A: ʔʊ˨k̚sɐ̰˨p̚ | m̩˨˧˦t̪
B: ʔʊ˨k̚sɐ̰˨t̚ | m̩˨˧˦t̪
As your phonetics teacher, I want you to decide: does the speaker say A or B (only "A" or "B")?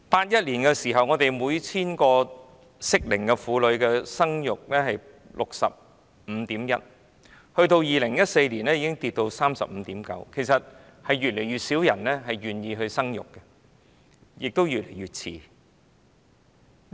A